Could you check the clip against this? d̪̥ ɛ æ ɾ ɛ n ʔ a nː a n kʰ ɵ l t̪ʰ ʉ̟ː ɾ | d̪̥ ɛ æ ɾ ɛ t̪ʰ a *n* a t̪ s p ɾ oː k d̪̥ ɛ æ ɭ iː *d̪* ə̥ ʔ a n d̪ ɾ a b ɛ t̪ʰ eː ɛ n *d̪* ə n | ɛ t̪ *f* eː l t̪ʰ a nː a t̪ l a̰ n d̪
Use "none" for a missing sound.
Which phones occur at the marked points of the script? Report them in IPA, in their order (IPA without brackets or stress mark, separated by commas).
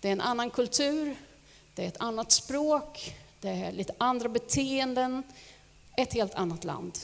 nː, t̪, d̪, h